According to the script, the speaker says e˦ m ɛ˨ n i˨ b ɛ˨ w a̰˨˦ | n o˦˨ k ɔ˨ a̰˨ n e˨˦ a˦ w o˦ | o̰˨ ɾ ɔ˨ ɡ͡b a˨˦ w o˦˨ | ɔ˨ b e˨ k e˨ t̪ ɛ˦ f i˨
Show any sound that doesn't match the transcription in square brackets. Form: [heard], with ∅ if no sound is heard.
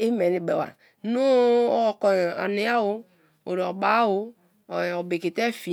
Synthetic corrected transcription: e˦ m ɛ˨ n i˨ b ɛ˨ w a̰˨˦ | n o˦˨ k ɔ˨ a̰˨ n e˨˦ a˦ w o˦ | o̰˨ ɾ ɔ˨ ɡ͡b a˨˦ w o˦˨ | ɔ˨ b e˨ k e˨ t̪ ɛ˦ f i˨